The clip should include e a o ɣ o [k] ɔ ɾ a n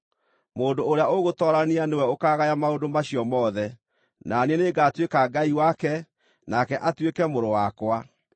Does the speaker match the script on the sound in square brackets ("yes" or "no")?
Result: no